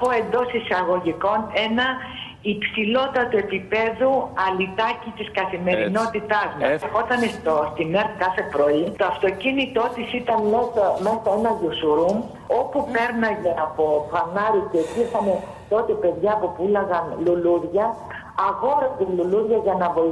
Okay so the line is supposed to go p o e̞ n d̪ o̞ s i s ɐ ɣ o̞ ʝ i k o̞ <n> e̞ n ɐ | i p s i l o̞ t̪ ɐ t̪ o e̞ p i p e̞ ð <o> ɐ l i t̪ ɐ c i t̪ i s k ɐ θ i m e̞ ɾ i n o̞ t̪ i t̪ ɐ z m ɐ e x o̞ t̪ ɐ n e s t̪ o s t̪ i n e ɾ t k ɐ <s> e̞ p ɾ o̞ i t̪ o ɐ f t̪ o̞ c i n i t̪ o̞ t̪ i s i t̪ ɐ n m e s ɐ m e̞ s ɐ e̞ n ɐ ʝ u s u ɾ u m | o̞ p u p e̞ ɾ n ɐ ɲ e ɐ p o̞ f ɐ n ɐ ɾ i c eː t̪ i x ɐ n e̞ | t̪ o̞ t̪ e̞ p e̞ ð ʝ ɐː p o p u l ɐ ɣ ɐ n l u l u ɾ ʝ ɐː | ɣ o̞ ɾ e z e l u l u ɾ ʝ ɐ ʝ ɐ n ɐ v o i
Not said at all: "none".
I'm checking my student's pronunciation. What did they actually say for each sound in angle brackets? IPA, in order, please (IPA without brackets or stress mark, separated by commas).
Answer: n, u, θ